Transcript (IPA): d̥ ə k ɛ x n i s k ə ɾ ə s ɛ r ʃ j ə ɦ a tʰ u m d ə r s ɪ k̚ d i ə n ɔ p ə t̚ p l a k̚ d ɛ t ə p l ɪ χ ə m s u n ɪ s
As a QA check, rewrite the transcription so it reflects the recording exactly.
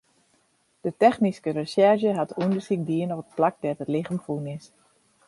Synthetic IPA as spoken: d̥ ə t ɛ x n i s k ə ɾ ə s ɛ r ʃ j ə ɦ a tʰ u n d ə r s i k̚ d i ə n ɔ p ə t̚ p l a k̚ d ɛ t ə t l ɪ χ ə m f u n ɪ s